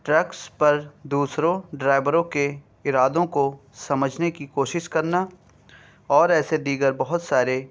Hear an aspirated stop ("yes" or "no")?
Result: no